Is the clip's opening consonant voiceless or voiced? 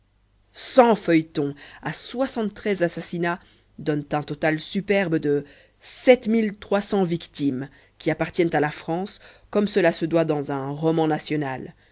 voiceless